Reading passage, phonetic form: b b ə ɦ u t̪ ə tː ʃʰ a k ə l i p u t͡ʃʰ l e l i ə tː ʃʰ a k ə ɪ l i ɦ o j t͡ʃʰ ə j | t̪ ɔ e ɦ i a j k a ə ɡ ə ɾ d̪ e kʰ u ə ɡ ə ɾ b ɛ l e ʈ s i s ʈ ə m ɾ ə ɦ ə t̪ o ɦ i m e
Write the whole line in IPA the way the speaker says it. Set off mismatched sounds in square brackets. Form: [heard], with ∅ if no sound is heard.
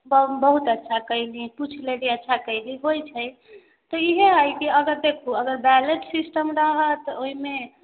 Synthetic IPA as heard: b b ə ɦ u t̪ ə tː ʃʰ a k ə l i p u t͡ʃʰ l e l i ə tː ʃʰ a k ə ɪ l i ɦ o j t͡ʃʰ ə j | t̪ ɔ [i] ɦ [e] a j k [i] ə ɡ ə ɾ d̪ e kʰ u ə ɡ ə ɾ b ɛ l e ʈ s i s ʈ ə m ɾ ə ɦ ə t̪ o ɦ i m e